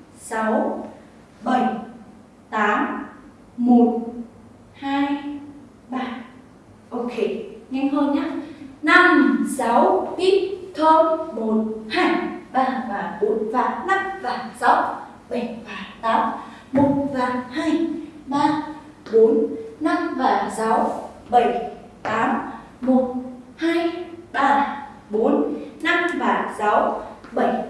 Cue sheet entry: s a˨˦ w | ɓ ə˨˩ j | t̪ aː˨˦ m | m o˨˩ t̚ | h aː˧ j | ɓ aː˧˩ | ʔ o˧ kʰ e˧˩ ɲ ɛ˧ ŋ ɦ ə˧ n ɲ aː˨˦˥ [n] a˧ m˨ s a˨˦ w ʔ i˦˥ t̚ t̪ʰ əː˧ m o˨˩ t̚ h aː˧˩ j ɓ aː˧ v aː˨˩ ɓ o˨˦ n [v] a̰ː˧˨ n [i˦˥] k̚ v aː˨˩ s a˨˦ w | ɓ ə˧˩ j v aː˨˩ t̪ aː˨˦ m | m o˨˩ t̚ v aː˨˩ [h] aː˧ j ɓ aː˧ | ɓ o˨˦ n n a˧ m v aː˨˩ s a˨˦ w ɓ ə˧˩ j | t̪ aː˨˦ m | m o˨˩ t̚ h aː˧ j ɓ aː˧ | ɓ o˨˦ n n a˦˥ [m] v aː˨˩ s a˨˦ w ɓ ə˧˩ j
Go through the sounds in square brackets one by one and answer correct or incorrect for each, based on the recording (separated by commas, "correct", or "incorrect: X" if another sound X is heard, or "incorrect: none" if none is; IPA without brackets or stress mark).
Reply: correct, correct, incorrect: a˦˥, correct, correct